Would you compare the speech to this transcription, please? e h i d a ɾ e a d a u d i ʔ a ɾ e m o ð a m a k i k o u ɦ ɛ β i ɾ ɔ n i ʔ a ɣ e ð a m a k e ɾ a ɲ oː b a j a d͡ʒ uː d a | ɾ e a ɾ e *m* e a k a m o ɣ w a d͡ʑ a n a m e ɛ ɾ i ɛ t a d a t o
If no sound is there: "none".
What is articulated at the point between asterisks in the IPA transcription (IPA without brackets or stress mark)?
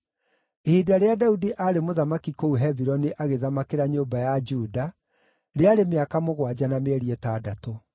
m